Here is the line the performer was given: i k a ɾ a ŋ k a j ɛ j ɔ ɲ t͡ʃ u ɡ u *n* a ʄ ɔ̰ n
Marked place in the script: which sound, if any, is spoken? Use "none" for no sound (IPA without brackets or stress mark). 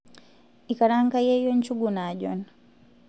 n